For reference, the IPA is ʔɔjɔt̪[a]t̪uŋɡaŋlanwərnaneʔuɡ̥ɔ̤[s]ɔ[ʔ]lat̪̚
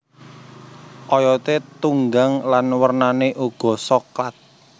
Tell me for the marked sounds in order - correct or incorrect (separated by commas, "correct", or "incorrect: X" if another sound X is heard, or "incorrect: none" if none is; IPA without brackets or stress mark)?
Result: incorrect: e, correct, incorrect: k